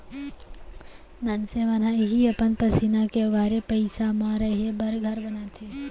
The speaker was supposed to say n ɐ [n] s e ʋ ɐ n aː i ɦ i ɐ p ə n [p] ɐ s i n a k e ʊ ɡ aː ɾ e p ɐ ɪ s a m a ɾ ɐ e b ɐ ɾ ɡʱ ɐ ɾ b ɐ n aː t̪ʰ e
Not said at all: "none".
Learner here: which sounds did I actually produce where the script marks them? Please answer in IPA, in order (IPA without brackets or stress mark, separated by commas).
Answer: n, p